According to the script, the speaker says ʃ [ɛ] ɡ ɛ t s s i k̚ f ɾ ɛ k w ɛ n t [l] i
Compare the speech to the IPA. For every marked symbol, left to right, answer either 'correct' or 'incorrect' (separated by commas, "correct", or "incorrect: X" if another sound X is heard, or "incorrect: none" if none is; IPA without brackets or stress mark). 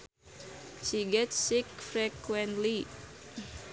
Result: incorrect: i, correct